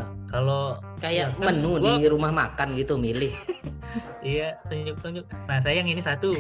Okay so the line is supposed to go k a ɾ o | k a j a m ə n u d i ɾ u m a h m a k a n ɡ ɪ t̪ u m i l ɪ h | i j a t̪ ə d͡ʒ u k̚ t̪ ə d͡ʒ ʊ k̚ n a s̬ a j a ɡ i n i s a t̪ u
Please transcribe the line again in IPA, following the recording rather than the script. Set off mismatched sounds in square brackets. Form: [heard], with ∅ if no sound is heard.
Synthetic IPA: k a [l] o | k a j a m ə n u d i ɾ u m a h m a k a n ɡ [i] t̪ u m i l ɪ h | i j a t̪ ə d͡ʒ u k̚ t̪ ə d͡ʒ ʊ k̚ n a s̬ a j a [ŋ] i n i s a t̪ u